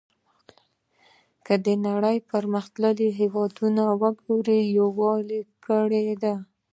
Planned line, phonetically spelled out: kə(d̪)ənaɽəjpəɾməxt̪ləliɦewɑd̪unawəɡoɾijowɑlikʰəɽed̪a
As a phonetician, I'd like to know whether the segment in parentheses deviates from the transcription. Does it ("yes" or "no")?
no